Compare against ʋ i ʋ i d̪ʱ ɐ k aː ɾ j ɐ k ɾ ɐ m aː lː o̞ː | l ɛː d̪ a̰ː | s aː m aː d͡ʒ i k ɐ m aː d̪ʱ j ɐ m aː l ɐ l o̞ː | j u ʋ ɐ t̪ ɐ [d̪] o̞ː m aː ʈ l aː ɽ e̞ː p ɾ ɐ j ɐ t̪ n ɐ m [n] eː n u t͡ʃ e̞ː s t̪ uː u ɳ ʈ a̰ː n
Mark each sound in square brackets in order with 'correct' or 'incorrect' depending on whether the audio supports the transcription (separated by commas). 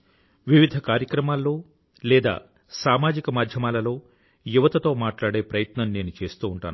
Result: incorrect, correct